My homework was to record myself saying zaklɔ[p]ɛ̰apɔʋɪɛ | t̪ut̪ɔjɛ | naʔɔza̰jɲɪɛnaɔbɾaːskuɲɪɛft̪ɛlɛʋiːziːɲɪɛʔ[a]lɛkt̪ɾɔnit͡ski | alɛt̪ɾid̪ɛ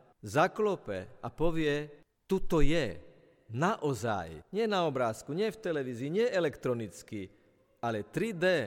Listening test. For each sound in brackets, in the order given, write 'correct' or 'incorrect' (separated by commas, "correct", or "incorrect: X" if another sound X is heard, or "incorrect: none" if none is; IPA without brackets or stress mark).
correct, incorrect: ɛ